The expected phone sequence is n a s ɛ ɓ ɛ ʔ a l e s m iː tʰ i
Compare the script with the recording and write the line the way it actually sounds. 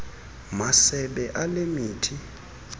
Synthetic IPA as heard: m a s ɛ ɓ ɛ ʔ a l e m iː tʰ i